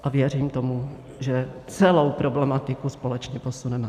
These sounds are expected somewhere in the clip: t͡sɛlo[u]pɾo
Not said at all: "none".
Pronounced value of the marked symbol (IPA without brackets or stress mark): w